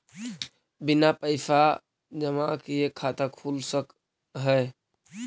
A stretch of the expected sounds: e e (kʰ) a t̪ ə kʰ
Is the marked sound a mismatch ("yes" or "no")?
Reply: no